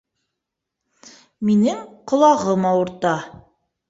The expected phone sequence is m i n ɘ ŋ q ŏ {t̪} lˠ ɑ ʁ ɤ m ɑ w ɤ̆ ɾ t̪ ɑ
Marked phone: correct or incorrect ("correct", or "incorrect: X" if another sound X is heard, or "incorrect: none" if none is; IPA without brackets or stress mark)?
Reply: incorrect: none